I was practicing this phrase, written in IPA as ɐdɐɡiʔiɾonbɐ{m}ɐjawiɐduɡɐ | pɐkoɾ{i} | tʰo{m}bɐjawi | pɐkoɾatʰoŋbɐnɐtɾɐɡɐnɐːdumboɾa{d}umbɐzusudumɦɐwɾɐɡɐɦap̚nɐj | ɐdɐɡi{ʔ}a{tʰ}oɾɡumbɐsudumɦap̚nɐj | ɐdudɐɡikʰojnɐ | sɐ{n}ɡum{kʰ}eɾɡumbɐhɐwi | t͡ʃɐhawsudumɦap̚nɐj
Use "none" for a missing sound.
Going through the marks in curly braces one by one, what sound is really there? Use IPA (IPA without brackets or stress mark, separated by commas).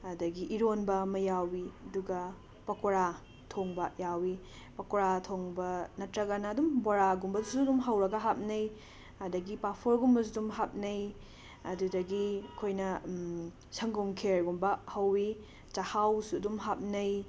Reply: m, a, ŋ, ɡ, p, pʰ, ŋ, kʰ